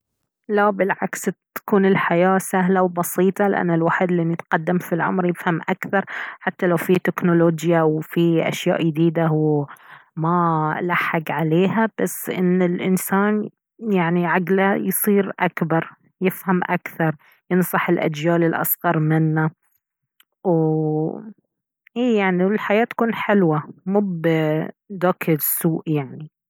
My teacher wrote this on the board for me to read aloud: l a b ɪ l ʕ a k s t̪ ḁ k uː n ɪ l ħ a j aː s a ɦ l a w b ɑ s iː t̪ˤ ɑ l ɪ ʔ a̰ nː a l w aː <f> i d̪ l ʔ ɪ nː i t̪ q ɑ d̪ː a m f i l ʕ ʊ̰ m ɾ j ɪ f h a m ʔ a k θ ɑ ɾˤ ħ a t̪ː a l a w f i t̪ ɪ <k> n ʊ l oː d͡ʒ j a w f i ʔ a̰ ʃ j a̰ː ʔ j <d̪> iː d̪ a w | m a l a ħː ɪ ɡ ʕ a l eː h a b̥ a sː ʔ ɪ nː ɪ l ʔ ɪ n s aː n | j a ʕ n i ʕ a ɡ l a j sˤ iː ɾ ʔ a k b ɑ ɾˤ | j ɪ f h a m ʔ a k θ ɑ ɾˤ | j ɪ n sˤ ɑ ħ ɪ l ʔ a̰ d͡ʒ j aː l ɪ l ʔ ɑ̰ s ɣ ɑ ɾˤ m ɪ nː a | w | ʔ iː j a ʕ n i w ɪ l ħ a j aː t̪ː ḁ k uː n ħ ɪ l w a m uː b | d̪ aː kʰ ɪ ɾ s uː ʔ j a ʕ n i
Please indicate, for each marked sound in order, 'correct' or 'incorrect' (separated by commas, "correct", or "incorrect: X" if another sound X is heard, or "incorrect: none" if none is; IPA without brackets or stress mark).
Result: incorrect: ħ, correct, correct